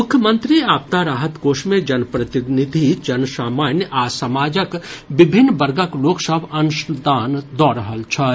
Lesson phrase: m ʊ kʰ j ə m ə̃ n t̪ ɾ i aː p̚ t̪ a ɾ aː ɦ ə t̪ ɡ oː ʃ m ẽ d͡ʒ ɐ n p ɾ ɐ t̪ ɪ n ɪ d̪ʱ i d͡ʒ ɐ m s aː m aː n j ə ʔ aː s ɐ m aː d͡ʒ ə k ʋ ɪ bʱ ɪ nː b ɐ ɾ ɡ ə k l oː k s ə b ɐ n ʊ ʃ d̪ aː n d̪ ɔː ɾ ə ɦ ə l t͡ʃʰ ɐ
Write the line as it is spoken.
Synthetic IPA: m ʊ kʰ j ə m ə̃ n t̪ ɾ i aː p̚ t̪ a ɾ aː ɦ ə t̪ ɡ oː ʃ m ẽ d͡ʒ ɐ n p ɾ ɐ t̪ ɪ n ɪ d̪ʱ i d͡ʒ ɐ n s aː m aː n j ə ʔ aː s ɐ m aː d͡ʒ ə k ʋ ɪ bʱ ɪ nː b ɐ ɾ ɡ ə k l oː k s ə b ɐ n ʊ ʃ d̪ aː n d̪ ɔː ɾ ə ɦ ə l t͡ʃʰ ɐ